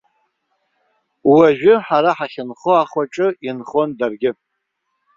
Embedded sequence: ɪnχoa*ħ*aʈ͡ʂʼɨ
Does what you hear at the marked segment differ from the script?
yes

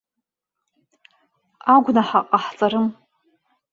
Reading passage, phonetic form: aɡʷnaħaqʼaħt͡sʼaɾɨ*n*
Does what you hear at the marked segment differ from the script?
yes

